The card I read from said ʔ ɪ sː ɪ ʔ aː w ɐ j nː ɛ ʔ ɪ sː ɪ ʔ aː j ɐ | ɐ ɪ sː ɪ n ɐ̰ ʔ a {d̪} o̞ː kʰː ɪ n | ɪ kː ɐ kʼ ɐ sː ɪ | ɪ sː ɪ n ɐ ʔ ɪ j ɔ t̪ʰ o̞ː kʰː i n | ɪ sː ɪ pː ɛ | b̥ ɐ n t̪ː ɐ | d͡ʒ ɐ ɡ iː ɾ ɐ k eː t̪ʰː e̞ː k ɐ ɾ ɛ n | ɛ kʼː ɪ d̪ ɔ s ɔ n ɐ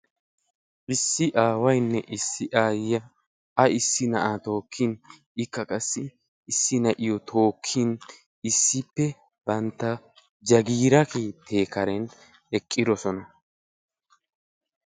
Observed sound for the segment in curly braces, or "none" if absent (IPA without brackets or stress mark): t̪